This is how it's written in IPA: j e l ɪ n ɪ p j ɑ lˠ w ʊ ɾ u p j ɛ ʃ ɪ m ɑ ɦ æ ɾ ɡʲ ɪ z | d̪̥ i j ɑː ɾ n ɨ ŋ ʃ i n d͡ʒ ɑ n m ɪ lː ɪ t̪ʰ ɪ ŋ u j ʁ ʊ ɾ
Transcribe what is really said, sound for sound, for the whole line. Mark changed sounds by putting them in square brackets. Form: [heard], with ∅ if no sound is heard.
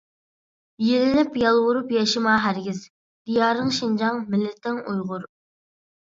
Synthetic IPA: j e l ɪ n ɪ p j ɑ lˠ w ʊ ɾ u p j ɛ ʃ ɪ m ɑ ɦ æ ɾ ɡʲ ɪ z | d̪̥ i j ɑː ɾ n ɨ ŋ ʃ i n d͡ʒ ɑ [ŋ] m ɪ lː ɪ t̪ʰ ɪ ŋ u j ʁ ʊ ɾ

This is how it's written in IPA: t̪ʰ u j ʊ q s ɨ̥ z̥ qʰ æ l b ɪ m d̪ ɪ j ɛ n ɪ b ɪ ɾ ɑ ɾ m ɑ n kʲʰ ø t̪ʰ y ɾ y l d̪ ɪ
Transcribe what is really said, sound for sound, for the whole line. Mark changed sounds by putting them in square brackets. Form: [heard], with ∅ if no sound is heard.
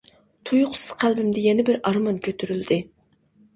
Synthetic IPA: t̪ʰ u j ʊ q s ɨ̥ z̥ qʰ æ l b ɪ m d̪ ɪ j ɛ n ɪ b ɪ ɾ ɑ ɾ m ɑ n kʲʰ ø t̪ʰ y ɾ y l d̪ ɪ

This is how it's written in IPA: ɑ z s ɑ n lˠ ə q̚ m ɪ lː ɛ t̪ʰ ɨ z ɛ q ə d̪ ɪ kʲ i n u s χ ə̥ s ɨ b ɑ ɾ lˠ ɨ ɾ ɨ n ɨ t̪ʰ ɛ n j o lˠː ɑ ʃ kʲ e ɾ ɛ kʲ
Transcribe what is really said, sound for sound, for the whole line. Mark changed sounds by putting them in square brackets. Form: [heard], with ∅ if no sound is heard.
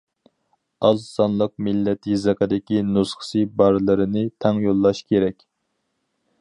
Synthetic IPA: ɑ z s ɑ n lˠ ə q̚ m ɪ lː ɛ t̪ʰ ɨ z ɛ q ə d̪ ɪ kʲ i n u s χ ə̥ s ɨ b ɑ ɾ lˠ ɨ ɾ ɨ n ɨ t̪ʰ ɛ [ŋ] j o lˠː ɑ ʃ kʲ e ɾ ɛ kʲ

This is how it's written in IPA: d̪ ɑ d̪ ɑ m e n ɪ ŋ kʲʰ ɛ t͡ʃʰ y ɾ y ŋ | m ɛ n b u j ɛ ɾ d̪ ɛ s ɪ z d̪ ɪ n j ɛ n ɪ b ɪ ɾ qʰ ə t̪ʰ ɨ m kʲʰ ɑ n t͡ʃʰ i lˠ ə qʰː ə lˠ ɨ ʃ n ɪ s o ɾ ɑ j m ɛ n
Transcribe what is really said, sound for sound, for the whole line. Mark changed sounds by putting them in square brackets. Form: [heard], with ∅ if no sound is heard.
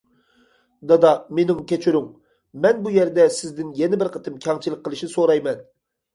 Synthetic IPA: d̪ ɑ d̪ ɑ m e n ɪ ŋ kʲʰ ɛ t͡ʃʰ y ɾ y ŋ | m ɛ n b u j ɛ ɾ d̪ ɛ s ɪ z d̪ ɪ n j ɛ n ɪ b ɪ ɾ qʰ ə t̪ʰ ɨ m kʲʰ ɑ [ŋ] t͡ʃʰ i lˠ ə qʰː ə lˠ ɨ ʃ n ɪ s o ɾ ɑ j m ɛ n

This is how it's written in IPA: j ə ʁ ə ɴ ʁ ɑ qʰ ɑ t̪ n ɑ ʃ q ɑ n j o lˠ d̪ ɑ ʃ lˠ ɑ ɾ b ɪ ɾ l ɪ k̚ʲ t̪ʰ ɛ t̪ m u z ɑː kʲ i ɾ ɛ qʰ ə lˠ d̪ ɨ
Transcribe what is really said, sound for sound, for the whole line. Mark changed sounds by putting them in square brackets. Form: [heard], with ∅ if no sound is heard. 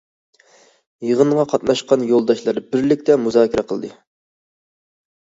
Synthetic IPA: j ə ʁ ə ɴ ʁ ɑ qʰ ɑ t̪ n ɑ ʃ q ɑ n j o lˠ d̪ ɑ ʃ lˠ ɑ ɾ b ɪ ɾ l ɪ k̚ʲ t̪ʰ ɛ [∅] m u z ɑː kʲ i ɾ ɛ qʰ ə lˠ d̪ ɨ

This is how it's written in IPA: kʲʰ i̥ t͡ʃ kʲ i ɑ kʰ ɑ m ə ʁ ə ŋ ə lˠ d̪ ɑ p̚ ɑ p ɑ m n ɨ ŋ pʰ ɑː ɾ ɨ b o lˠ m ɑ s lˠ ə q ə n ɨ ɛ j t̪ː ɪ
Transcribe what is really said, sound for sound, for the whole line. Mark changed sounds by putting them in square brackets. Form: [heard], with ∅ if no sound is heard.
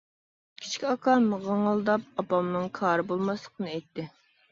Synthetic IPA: kʲʰ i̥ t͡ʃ kʲ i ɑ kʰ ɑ m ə ʁ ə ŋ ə lˠ d̪ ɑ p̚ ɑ p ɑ m n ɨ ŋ [kʰ] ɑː ɾ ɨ b o lˠ m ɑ s lˠ ə q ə n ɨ ɛ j t̪ː ɪ

